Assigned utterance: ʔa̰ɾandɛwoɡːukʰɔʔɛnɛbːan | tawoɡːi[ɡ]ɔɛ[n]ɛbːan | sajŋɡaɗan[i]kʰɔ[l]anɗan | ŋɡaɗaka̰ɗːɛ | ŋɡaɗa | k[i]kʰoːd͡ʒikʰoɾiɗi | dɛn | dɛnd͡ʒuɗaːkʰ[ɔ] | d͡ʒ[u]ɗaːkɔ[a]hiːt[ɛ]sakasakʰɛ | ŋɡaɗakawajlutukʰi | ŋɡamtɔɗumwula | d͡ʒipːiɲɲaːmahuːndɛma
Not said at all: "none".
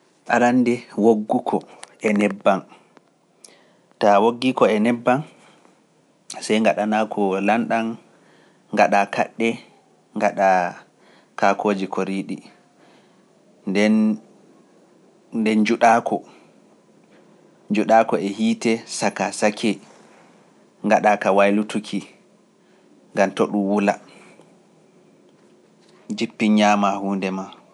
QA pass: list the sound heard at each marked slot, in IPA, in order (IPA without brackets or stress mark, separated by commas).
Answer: k, n, a, l, a, ɔ, u, ɛ, ɛ